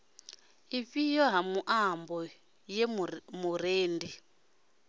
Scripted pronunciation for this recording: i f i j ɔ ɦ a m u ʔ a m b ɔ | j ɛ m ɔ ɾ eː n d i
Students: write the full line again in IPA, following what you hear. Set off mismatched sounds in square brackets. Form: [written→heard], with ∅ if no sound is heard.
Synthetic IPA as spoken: i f i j ɔ ɦ a m u ʔ a m b ɔ | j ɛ m [ɔ→u] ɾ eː n d i